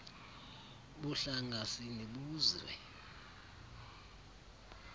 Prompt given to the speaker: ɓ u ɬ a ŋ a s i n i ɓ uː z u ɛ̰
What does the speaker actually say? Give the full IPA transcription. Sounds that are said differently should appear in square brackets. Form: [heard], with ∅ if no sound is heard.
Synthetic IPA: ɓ u ɬ a ŋ a s i n i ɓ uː z [w] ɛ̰